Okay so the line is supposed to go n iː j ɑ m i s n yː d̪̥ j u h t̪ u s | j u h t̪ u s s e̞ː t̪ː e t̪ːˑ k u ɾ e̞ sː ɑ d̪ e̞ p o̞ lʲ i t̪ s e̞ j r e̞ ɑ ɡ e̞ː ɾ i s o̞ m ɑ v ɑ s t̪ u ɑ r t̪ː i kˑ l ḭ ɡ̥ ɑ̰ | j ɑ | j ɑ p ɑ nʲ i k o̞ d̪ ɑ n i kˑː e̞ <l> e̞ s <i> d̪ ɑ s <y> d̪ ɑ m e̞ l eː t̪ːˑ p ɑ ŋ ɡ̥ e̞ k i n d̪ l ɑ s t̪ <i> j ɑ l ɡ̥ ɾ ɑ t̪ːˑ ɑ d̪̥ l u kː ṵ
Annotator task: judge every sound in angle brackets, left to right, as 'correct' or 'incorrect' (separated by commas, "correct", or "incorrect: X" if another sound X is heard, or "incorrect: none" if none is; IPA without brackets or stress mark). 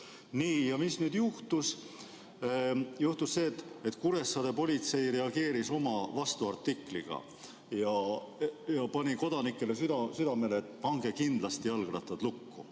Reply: correct, incorrect: y, correct, correct